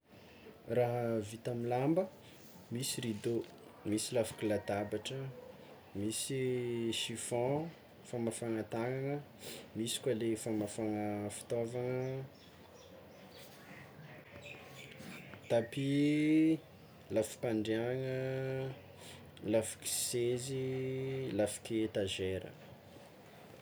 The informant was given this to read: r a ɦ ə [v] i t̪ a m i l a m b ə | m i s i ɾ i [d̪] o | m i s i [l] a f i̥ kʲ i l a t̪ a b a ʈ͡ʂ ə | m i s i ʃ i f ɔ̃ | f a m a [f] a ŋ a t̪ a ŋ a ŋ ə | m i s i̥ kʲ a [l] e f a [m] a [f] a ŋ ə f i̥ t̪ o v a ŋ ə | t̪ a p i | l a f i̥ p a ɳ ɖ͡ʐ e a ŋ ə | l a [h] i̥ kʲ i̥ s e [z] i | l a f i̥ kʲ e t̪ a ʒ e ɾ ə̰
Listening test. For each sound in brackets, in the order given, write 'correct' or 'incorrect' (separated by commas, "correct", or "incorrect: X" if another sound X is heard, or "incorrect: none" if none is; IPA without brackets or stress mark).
correct, correct, correct, correct, correct, correct, correct, incorrect: f, correct